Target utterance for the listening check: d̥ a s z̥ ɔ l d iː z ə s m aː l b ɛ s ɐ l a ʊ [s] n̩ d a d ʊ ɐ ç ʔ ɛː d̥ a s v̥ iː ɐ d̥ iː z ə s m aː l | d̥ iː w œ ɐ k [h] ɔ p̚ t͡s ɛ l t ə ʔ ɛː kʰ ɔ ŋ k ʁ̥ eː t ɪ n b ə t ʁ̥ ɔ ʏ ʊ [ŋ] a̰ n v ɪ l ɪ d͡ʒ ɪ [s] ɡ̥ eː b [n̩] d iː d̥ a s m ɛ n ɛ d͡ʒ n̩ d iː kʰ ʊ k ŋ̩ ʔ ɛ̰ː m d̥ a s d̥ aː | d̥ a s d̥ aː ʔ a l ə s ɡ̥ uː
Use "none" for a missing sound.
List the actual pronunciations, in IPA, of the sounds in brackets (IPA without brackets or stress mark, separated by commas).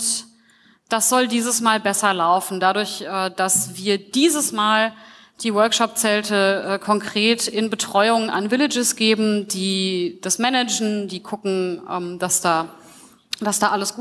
f, ʃ, ŋ, s, m̩